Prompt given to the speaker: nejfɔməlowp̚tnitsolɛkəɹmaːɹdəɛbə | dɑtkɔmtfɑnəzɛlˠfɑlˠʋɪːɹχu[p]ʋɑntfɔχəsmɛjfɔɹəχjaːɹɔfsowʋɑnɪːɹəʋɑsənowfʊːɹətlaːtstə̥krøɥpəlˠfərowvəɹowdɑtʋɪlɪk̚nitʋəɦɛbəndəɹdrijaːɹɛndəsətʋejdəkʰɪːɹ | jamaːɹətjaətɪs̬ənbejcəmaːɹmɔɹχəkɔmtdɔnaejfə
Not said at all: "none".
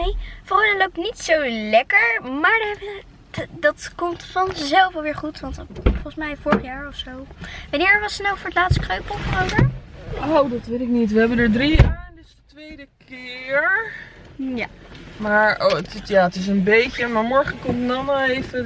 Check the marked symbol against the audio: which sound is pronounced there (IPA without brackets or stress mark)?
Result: t